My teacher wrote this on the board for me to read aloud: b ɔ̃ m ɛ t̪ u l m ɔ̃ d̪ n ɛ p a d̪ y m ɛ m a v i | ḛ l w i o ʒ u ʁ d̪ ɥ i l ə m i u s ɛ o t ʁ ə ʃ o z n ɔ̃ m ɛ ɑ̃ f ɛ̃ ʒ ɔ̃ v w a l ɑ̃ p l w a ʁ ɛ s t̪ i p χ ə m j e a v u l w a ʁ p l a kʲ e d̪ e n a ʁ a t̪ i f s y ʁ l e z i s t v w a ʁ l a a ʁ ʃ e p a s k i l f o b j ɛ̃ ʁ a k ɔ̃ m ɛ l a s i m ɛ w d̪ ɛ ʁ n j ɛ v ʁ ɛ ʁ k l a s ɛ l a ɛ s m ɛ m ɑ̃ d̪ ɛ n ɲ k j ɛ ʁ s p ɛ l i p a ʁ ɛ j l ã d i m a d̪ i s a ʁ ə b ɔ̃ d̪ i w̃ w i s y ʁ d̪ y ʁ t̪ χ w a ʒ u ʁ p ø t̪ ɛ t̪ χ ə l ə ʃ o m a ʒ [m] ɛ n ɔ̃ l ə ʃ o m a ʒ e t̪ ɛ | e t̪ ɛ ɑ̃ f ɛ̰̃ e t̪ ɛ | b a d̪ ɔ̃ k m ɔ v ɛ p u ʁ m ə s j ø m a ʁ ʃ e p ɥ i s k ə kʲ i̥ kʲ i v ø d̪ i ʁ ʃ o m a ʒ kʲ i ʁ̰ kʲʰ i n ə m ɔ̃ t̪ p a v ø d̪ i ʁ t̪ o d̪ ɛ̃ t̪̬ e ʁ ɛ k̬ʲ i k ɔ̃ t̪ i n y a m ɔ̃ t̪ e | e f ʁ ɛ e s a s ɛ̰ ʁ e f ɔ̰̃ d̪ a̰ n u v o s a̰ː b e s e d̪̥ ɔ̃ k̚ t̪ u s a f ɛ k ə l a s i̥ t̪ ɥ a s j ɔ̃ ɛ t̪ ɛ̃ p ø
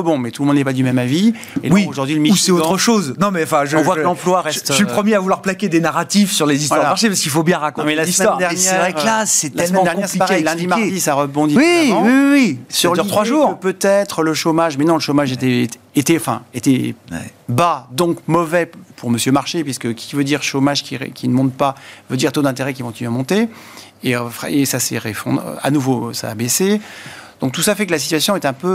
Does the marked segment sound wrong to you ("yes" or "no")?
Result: no